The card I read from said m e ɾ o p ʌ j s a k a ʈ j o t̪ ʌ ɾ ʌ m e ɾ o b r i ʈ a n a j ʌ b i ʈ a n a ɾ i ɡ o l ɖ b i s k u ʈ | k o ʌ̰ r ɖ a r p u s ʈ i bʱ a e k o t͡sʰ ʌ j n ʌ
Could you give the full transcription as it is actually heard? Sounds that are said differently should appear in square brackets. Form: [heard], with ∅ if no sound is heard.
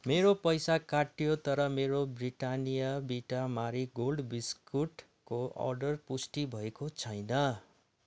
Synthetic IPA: m e ɾ o p ʌ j s a k a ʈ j o t̪ ʌ ɾ ʌ m e ɾ o b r i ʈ a n [i] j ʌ b i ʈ a [m] a ɾ i ɡ o l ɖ b i s k u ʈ | k o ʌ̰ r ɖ [ʌ] r p u s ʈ i bʱ [ʌ] e k o t͡sʰ ʌ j n ʌ